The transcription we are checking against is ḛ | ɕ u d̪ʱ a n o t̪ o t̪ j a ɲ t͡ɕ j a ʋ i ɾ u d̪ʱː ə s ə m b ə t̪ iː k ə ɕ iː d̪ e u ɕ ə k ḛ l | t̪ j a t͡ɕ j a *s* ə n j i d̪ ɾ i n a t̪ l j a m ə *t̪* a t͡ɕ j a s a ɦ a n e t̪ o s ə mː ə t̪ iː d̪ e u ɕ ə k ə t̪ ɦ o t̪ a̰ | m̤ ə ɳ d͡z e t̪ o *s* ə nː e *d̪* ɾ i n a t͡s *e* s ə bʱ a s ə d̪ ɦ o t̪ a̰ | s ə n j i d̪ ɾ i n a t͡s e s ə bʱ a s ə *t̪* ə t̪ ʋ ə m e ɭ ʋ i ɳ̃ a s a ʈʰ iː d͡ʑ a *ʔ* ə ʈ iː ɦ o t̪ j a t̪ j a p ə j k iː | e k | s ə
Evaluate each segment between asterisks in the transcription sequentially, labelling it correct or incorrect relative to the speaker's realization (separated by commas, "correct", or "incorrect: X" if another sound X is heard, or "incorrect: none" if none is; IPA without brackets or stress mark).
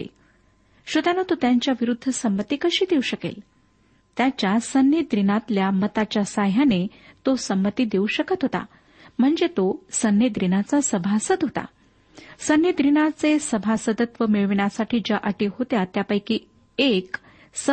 correct, correct, correct, correct, incorrect: a, incorrect: d̪, correct